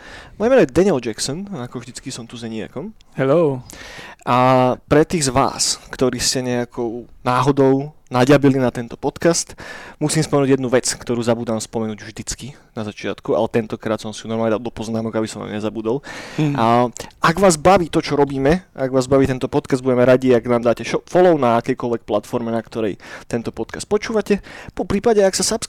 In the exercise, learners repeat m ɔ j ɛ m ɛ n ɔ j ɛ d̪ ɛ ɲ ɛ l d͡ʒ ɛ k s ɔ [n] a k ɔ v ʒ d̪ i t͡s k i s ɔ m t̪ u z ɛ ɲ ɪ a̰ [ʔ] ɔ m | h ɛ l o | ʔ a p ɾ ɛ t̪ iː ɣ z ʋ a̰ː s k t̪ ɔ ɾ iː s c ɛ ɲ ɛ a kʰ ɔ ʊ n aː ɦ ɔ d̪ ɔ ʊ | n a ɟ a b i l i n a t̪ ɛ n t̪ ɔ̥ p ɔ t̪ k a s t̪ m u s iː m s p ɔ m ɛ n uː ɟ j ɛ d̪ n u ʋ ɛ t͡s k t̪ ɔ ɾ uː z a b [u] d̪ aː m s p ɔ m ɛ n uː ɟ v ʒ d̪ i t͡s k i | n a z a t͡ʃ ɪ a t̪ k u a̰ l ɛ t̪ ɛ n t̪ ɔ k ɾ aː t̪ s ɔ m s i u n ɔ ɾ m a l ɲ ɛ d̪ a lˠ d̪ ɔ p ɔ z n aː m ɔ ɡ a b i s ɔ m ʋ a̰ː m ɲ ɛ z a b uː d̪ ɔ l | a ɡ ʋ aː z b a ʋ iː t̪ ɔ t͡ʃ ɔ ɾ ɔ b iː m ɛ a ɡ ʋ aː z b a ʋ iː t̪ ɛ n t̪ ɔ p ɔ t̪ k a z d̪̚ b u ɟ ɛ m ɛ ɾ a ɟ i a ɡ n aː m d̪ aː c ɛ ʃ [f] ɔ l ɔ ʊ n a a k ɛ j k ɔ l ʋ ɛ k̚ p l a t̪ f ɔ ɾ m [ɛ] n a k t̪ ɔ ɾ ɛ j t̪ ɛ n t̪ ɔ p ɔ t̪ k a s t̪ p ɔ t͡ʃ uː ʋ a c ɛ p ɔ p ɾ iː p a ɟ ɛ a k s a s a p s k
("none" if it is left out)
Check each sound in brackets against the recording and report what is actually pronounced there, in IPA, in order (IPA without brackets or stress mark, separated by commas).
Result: n, k, uː, f, ɛ